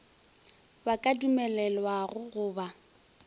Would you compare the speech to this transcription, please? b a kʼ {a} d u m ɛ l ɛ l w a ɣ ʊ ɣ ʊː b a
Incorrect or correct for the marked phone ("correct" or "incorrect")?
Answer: correct